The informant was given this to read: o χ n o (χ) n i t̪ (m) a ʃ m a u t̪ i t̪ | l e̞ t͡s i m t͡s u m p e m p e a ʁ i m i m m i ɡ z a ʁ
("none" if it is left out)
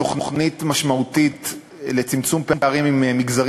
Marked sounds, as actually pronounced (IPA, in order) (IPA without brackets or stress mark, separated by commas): χ, m